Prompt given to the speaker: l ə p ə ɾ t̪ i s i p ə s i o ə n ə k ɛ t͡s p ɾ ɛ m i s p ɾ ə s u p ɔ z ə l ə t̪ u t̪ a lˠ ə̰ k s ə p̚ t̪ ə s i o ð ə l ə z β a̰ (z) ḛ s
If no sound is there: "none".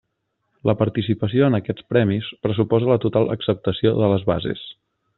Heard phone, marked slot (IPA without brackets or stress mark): z